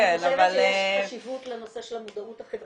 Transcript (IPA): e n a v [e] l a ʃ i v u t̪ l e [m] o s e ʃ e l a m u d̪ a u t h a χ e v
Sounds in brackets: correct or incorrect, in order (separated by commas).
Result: incorrect, incorrect